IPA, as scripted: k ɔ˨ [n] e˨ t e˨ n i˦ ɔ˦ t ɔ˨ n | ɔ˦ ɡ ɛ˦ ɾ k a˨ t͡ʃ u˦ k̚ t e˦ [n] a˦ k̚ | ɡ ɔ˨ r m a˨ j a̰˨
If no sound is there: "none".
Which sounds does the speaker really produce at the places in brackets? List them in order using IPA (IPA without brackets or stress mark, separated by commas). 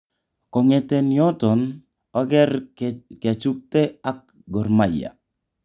ŋ, none